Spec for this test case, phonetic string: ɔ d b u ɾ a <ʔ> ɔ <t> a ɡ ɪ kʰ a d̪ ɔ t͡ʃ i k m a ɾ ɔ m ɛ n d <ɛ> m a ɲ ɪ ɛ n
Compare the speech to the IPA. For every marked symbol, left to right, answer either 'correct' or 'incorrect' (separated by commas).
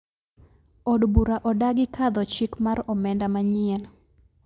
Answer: correct, incorrect, incorrect